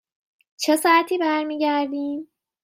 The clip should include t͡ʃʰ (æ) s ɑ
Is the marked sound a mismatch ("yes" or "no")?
yes